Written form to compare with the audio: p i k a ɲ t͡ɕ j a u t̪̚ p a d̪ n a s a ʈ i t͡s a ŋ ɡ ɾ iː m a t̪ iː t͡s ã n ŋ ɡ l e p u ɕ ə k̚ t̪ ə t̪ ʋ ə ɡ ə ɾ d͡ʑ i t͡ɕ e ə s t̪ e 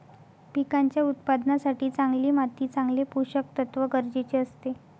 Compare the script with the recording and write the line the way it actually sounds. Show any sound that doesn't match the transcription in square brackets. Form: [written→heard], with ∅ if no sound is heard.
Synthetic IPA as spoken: p i k a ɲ t͡ɕ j a u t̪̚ p a d̪ n a s a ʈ [i→iː] t͡s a ŋ ɡ [ɾ→l] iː m a t̪ iː t͡s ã [n→∅] ŋ ɡ l e p u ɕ ə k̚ t̪ ə t̪ ʋ ə ɡ ə ɾ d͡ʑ [i→e] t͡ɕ e ə s t̪ e